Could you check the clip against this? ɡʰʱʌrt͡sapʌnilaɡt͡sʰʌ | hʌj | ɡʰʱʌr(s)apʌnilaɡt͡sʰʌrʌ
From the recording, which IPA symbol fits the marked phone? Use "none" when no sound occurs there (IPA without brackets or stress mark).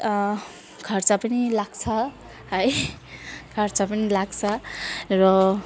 t͡s